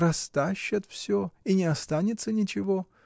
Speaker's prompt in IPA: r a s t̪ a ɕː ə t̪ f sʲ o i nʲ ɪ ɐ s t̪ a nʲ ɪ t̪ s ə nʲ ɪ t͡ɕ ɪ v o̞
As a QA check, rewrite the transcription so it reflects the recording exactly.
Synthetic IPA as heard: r ɐ s t̪ a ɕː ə t̪ f sʲ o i nʲ ɪ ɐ s t̪ a nʲ ɪ t̪ s ə nʲ ɪ t͡ɕ ɪ v o̞